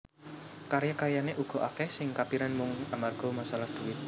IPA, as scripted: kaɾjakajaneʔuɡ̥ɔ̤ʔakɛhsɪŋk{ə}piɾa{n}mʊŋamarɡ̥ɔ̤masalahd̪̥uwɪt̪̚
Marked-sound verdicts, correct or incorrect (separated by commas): incorrect, correct